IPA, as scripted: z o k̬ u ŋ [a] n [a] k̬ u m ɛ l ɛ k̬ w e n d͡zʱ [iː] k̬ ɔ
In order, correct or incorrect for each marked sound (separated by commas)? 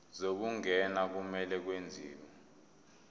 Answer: incorrect, correct, correct